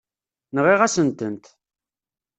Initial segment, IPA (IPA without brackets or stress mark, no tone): n